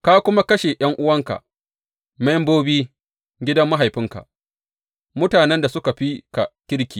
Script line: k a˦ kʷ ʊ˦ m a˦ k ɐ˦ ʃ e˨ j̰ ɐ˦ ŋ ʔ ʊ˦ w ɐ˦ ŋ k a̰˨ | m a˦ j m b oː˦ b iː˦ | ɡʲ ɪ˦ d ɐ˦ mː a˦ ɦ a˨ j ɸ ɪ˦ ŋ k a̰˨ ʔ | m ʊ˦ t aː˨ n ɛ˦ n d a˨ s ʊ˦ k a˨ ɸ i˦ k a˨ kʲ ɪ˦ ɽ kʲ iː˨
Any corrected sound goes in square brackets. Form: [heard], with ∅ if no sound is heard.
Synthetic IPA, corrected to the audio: k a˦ kʷ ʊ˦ m a˦ k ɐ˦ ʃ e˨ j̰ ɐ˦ ŋ ʔ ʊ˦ w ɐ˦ ŋ k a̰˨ | m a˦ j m b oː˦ b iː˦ | ɡʲ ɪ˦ d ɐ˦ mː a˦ ɦ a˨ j ɸ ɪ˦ ŋ k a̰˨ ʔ | m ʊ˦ t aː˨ n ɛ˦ n d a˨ s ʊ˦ k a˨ ɸ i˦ k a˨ kʲ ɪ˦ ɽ kʲ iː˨